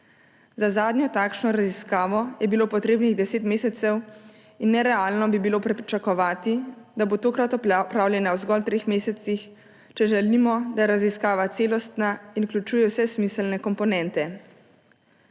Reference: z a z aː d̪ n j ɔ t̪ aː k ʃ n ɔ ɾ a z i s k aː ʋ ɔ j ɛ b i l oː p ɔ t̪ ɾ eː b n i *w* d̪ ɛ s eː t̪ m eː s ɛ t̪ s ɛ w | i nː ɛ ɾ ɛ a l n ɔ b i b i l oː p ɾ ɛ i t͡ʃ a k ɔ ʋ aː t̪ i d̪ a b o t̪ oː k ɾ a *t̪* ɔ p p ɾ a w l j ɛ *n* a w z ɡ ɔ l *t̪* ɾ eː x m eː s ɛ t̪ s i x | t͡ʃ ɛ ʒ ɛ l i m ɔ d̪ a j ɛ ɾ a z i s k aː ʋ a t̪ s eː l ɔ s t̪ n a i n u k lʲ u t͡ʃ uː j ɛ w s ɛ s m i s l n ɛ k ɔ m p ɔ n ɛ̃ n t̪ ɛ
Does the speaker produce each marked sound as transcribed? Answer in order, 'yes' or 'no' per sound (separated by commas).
no, yes, yes, yes